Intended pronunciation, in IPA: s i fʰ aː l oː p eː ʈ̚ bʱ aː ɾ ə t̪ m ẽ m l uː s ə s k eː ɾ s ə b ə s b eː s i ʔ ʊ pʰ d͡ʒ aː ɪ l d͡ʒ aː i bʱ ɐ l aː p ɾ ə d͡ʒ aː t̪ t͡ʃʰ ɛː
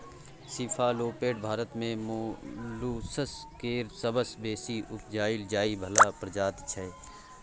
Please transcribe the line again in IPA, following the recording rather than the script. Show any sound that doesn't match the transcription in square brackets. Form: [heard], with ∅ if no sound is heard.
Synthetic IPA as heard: s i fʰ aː l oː p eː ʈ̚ bʱ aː ɾ ə t̪ m ẽ m l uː s ə s k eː ɾ s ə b ə s b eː s i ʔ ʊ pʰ d͡ʒ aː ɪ l d͡ʒ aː i bʱ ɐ l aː p ɾ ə d͡ʒ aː t̪ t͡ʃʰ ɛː